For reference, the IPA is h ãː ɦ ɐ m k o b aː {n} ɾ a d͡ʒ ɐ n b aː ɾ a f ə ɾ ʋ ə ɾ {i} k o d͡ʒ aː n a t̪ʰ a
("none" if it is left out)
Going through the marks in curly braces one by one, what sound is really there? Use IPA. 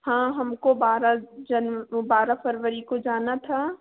none, i

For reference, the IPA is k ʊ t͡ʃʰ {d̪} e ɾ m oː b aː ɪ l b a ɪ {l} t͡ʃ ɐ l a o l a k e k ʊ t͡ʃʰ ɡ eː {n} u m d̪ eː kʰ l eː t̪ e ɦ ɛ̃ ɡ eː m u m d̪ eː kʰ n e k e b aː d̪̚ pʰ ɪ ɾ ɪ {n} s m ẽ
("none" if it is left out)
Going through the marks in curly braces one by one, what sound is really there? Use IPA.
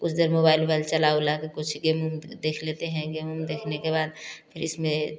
d̪, l, m, none

